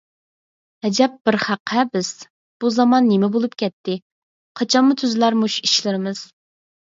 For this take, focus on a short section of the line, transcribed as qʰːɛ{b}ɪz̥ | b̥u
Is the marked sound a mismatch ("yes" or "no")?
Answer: no